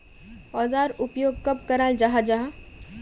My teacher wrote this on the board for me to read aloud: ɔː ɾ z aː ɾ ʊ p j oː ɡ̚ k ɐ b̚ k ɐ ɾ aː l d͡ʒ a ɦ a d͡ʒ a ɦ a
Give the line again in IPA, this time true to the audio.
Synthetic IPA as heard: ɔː z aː ɾ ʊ p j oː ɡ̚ k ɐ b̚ k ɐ ɾ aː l d͡ʒ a ɦ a d͡ʒ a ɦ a